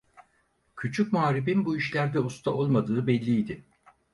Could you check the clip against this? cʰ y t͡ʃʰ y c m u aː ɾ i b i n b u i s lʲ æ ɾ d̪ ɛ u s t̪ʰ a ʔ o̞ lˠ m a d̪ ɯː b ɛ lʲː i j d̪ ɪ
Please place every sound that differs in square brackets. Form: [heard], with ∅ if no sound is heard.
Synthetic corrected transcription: cʰ y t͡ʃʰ y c m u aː ɾ i b i n b u i [ʃ] lʲ æ ɾ d̪ ɛ u s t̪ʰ a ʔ o̞ lˠ m a d̪ ɯː b ɛ lʲː i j d̪ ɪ

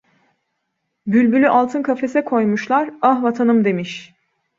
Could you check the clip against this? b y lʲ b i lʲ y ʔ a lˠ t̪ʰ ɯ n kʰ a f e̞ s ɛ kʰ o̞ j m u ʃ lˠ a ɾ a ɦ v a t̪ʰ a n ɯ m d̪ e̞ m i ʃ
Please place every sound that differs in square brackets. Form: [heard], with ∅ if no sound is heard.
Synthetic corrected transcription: b y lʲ b [y] lʲ y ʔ a lˠ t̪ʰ ɯ n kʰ a f e̞ s ɛ kʰ o̞ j m u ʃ lˠ a ɾ a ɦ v a t̪ʰ a n ɯ m d̪ e̞ m i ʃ

